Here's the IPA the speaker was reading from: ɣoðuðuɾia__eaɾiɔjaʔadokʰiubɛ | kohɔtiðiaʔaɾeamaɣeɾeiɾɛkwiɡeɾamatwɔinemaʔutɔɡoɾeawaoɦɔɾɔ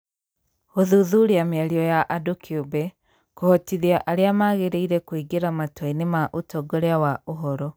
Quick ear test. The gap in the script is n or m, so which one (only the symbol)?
m